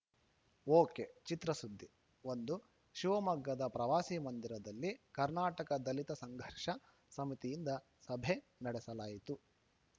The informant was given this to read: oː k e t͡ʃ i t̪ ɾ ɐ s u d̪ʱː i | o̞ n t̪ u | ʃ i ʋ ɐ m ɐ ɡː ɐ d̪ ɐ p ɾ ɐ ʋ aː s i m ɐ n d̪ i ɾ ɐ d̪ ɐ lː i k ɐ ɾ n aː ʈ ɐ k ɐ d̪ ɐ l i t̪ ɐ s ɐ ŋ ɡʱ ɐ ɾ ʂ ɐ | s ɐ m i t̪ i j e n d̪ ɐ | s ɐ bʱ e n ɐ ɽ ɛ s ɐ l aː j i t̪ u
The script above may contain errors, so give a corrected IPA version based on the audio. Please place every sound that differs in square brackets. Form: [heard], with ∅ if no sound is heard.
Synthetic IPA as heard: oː k e t͡ʃ i t̪ ɾ ɐ s u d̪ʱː i | o̞ n [d̪] u | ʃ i ʋ ɐ m ɐ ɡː ɐ d̪ ɐ p ɾ ɐ ʋ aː s i m ɐ n d̪ i ɾ ɐ d̪ ɐ lː i k ɐ ɾ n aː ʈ ɐ k ɐ d̪ ɐ l i t̪ ɐ s ɐ ŋ ɡʱ ɐ ɾ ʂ ɐ | s ɐ m i t̪ i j [i] n d̪ ɐ | s ɐ bʱ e n ɐ ɽ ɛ s ɐ l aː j i t̪ u